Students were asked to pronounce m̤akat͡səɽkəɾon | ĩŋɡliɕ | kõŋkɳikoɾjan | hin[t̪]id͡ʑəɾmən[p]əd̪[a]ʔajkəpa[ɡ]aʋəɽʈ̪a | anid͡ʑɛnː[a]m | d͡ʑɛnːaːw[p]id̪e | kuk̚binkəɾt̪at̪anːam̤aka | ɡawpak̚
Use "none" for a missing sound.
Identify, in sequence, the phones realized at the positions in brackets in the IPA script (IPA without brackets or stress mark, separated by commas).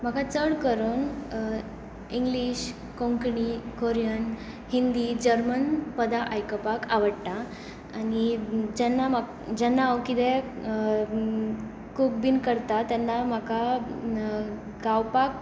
d̪, p, a, k, a, k